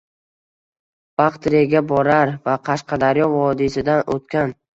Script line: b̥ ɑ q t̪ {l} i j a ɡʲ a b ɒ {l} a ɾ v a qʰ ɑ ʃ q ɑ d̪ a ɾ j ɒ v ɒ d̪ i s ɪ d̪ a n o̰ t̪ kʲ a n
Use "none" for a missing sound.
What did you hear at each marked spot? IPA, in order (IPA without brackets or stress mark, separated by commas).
ɾ, ɾ